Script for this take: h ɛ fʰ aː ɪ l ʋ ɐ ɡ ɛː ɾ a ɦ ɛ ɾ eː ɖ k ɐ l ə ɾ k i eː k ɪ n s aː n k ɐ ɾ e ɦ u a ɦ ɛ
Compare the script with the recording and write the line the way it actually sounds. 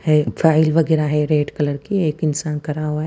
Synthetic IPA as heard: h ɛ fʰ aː ɪ l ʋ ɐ ɡ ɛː ɾ a ɦ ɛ ɾ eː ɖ k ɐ l ə ɾ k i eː k ɪ n s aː n k ɐ ɾ a ɦ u a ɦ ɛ